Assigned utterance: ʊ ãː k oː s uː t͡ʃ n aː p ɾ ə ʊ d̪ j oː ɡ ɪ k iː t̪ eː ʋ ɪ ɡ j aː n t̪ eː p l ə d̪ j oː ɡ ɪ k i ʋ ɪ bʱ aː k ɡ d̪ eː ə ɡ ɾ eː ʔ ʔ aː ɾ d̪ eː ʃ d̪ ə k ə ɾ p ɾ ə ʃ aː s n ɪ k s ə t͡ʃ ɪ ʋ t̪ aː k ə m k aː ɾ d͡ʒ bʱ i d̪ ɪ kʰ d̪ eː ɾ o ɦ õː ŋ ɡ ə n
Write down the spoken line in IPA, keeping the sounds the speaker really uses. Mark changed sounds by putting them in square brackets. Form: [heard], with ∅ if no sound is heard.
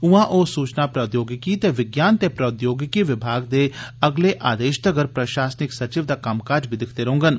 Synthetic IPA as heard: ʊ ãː [ʔ] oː s uː t͡ʃ n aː p ɾ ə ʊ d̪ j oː ɡ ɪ k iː t̪ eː ʋ ɪ ɡ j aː n t̪ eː p [ɾ] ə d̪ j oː ɡ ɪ k i ʋ ɪ bʱ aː [∅] ɡ d̪ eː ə ɡ [l] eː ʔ ʔ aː [∅] d̪ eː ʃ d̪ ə [ɡ] ə ɾ p ɾ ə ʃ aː s n ɪ k s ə t͡ʃ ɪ ʋ [d̪] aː k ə m k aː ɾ d͡ʒ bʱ i d̪ ɪ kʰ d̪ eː ɾ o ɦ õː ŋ ɡ ə n

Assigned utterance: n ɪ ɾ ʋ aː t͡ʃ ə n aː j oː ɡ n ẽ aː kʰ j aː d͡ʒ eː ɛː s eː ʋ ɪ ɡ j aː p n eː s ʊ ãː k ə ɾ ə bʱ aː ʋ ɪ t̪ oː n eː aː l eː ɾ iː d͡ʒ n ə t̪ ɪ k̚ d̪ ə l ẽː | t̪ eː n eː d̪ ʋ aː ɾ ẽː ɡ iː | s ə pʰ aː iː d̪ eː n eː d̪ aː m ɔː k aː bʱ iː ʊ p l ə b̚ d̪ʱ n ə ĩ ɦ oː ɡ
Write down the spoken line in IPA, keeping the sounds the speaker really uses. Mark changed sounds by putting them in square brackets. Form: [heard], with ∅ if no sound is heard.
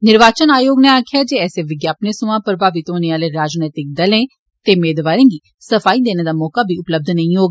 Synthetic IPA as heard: n ɪ ɾ ʋ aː t͡ʃ ə n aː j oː ɡ n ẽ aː kʰ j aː d͡ʒ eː ɛː s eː ʋ ɪ ɡ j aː p n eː s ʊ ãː [p] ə ɾ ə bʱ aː ʋ ɪ t̪ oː n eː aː l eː ɾ [aː] d͡ʒ n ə t̪ ɪ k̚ d̪ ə l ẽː | t̪ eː [m] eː d̪ ʋ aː ɾ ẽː ɡ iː | s ə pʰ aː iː d̪ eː n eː d̪ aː m ɔː k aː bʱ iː ʊ p l ə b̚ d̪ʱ n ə ĩ ɦ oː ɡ

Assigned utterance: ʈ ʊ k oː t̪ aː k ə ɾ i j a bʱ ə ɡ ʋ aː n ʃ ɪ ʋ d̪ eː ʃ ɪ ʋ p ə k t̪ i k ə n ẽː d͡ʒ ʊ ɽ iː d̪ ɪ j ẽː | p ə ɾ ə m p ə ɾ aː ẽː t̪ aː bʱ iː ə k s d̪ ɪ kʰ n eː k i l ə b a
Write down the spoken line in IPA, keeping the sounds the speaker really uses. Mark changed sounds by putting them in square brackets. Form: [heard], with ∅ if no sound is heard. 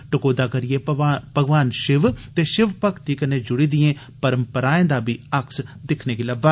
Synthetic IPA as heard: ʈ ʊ k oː [d̪] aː k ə ɾ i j [e] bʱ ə ɡ ʋ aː n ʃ ɪ ʋ [t̪] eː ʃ ɪ ʋ p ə k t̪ i k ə n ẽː d͡ʒ ʊ ɽ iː d̪ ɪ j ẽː | p ə ɾ ə m p ə ɾ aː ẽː [d̪] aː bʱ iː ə k s d̪ ɪ kʰ n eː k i l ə b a

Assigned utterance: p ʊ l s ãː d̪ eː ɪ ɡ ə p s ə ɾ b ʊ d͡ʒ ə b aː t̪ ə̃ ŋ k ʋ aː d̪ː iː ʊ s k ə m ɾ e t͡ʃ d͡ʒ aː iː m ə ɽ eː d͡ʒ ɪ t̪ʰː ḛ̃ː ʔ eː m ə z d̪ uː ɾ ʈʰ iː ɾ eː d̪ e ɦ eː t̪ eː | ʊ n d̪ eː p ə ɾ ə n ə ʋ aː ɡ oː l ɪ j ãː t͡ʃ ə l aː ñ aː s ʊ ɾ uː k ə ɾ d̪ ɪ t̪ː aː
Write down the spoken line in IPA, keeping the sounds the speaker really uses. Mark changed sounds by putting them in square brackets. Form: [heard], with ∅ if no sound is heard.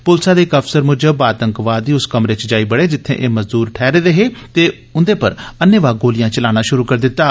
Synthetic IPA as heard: p ʊ l s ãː d̪ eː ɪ [k] ə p s ə ɾ [m] ʊ d͡ʒ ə b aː t̪ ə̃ ŋ k ʋ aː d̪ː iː ʊ s k ə m ɾ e t͡ʃ d͡ʒ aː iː [b] ə ɽ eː d͡ʒ ɪ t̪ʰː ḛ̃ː ʔ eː m ə z d̪ uː ɾ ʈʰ [ɛː] ɾ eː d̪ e ɦ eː t̪ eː | ʊ n d̪ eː p ə ɾ ə n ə ʋ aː ɡ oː l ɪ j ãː t͡ʃ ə l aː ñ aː [ʃ] ʊ ɾ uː k ə ɾ d̪ ɪ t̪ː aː

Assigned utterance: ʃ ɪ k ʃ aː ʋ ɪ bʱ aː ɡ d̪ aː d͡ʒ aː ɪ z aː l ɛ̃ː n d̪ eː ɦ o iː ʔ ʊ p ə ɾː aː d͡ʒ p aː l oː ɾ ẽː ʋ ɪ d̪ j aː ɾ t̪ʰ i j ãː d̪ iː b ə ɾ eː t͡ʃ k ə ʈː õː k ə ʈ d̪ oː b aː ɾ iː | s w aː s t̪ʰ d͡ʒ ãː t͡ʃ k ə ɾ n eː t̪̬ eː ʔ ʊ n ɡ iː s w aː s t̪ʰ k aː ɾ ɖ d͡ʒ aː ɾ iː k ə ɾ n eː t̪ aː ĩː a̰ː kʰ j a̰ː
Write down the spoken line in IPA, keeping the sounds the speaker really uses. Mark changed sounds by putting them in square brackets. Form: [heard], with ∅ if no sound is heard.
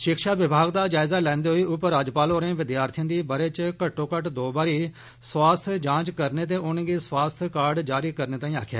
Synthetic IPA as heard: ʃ ɪ k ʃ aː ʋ ɪ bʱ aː ɡ d̪ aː d͡ʒ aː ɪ z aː l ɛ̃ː n d̪ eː ɦ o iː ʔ ʊ p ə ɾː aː d͡ʒ p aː l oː ɾ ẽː ʋ ɪ d̪ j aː ɾ t̪ʰ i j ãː d̪ iː b ə ɾ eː t͡ʃ k ə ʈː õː k ə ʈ d̪ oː b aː ɾ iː | s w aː s t̪ʰ d͡ʒ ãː t͡ʃ k ə ɾ n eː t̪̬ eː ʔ ʊ n ɡ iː s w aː s t̪ʰ k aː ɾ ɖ d͡ʒ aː ɾ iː k ə ɾ n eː t̪ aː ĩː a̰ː kʰ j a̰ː

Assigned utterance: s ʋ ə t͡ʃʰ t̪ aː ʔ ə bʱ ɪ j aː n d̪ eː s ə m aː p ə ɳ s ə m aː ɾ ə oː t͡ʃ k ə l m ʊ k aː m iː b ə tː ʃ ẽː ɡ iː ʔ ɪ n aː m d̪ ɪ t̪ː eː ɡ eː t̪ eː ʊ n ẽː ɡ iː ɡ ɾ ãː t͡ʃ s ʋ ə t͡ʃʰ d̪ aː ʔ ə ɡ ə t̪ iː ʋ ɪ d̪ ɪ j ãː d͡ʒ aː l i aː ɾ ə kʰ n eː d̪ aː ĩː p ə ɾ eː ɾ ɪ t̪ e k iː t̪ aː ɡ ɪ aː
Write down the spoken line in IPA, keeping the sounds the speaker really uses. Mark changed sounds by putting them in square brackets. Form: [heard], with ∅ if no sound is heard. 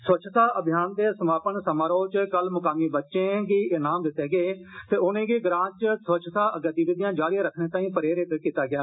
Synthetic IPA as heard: s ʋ ə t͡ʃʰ t̪ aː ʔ ə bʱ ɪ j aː n d̪ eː s ə m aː p ə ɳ s ə m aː ɾ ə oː t͡ʃ k ə l m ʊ k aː m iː b ə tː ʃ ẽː ɡ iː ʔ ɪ n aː m d̪ ɪ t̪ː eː ɡ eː t̪ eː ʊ n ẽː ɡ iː ɡ ɾ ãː t͡ʃ s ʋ ə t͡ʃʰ [t̪] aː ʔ ə ɡ ə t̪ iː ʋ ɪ d̪ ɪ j ãː d͡ʒ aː [ɽ] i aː ɾ ə kʰ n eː [t̪] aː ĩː p ə ɾ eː ɾ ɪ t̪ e k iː t̪ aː ɡ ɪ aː

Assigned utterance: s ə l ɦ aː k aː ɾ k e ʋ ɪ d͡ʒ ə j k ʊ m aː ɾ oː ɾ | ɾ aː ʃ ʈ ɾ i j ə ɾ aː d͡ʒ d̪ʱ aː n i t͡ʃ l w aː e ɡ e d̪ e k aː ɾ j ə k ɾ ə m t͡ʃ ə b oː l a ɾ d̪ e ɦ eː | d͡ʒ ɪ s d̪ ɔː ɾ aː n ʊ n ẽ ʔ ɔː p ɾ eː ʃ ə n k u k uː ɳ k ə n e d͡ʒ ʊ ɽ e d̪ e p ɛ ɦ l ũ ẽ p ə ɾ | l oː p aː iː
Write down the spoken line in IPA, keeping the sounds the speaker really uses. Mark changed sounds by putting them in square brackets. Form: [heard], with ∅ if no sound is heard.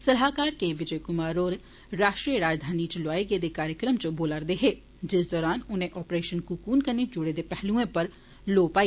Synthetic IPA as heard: s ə l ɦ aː k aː ɾ k e ʋ ɪ d͡ʒ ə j k ʊ m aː ɾ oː ɾ | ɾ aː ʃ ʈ ɾ i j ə ɾ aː d͡ʒ d̪ʱ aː n i t͡ʃ l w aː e ɡ e d̪ e k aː ɾ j ə k ɾ ə m t͡ʃ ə b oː l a ɾ d̪ e ɦ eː | d͡ʒ ɪ s d̪ ɔː ɾ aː n ʊ n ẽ ʔ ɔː p ɾ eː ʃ ə n k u k uː [n] k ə n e d͡ʒ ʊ ɽ e d̪ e p ɛ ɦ l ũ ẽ p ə ɾ | l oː p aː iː

